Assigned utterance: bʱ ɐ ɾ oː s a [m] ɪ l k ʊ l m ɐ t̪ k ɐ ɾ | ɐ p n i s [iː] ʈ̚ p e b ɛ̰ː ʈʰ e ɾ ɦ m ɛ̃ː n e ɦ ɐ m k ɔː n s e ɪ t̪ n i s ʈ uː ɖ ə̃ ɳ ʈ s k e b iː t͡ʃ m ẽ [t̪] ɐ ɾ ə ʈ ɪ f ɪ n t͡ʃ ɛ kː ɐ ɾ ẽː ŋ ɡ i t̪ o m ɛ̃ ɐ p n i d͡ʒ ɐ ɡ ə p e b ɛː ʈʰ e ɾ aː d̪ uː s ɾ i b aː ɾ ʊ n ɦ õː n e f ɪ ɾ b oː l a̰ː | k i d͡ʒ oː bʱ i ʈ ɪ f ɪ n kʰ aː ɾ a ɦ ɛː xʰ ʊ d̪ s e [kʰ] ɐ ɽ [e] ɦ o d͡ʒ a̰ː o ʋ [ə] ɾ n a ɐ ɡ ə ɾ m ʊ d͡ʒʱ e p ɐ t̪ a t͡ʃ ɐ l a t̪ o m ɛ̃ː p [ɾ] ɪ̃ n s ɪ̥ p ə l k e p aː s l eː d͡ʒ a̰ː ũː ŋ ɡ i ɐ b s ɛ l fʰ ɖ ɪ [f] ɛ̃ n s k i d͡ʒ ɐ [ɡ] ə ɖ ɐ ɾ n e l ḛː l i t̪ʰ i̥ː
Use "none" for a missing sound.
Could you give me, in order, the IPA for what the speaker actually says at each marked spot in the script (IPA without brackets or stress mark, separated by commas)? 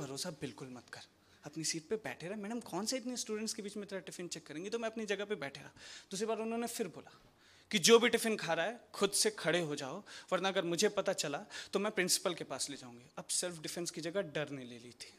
b, iː, t̪, kʰ, e, ɐ, ɾ, f, ɡ